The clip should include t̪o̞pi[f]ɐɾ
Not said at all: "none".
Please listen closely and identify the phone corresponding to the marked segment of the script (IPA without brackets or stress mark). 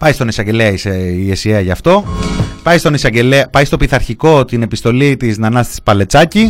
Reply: θ